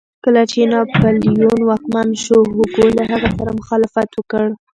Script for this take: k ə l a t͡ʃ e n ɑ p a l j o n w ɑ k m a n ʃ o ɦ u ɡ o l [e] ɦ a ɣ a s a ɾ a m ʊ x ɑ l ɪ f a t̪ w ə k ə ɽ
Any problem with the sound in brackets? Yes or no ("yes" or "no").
yes